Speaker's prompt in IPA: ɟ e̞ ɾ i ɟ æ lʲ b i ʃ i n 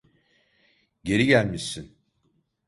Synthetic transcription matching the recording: ɟ e̞ ɾ i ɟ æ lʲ m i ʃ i n